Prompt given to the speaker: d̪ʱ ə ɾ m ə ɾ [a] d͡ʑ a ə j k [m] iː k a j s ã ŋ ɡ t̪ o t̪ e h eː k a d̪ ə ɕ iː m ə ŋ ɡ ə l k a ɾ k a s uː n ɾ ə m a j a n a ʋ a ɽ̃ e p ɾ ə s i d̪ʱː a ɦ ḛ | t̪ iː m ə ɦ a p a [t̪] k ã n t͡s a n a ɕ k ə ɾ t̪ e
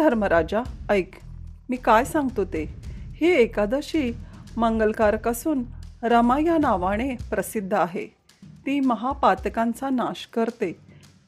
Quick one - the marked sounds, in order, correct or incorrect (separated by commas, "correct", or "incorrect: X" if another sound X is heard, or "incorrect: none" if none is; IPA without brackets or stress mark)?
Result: correct, correct, correct